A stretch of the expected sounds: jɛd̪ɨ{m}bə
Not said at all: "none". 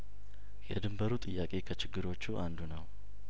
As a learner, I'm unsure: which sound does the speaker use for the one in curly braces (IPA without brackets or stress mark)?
m